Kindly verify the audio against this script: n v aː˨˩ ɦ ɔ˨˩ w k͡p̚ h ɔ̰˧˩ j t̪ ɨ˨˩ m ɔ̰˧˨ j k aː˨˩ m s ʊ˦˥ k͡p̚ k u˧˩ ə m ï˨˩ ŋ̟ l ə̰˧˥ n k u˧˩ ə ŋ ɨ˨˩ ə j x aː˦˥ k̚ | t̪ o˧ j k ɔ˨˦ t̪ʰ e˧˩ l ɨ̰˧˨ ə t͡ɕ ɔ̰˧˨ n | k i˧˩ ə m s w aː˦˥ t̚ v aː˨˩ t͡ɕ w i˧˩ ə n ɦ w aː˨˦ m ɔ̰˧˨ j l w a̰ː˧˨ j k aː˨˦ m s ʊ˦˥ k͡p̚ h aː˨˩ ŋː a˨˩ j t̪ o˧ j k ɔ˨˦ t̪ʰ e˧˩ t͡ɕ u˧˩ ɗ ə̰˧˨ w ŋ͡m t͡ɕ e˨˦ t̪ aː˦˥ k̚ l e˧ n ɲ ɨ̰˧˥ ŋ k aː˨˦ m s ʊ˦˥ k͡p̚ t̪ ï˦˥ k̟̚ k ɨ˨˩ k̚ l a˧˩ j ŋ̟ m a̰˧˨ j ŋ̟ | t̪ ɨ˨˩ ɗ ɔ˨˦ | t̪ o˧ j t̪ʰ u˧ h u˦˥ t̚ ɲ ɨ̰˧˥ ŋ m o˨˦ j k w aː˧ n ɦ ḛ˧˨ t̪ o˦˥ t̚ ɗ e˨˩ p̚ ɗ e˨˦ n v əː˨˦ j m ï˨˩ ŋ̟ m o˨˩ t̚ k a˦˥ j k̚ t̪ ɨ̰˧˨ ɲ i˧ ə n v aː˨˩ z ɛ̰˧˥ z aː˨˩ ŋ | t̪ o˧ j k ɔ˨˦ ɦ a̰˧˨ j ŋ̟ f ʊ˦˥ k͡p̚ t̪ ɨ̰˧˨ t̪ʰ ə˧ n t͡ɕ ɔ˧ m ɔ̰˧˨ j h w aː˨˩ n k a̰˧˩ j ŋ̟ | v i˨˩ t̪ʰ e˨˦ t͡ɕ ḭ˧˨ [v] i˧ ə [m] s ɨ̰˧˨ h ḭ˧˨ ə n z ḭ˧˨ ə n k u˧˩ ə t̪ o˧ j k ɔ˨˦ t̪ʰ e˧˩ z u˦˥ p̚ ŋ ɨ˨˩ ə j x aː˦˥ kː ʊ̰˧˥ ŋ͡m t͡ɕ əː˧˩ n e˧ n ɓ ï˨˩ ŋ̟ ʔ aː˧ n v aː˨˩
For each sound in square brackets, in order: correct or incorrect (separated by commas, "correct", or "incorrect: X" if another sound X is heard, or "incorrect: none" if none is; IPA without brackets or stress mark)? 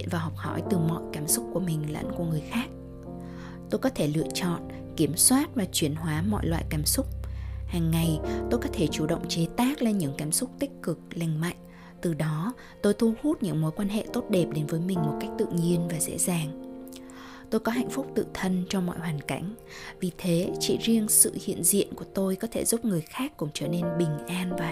incorrect: z, incorrect: ŋ